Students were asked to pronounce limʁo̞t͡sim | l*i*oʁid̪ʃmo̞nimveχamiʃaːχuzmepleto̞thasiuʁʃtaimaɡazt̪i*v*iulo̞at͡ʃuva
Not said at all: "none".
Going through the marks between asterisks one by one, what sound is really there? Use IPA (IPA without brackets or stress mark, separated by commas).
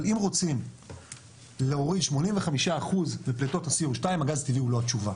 e, v